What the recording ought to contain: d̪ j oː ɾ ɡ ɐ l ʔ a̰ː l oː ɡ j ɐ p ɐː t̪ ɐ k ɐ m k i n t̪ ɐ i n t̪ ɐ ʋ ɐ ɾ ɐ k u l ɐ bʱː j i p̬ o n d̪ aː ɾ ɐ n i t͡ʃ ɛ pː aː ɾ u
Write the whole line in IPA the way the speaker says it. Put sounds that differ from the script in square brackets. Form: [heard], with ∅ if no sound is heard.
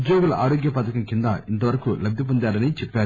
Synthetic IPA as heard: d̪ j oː [∅] ɡ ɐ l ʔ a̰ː [ɾ] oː ɡ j ɐ p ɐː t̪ ɐ k ɐ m k i n [d̪] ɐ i n t̪ ɐ ʋ ɐ ɾ ɐ k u l ɐ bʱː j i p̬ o n d̪ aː ɾ ɐ n i t͡ʃ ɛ pː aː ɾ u